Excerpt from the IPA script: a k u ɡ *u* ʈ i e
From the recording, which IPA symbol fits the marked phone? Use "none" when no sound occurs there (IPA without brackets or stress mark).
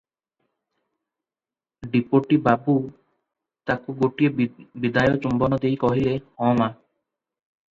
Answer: o